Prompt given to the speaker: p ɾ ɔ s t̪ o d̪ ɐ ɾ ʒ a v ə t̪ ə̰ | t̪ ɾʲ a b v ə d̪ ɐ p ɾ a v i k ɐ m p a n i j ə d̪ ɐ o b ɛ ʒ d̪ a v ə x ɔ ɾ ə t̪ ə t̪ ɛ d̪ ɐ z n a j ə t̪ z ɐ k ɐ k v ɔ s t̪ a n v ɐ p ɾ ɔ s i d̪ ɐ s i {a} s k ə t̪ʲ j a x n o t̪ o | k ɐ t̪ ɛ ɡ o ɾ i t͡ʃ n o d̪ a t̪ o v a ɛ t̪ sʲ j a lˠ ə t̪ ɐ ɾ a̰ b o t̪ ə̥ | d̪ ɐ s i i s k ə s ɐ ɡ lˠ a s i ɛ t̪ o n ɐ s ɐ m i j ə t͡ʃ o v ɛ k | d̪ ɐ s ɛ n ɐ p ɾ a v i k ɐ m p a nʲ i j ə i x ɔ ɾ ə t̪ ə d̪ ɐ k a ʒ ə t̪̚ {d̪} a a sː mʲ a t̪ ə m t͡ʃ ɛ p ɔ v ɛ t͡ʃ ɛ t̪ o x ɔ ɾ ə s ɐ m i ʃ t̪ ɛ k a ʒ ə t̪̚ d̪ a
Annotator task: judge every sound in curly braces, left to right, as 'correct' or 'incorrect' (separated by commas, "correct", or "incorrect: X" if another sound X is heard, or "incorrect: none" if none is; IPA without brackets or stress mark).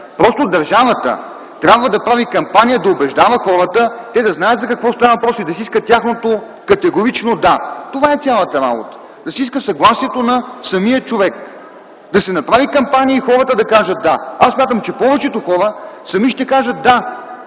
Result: incorrect: i, correct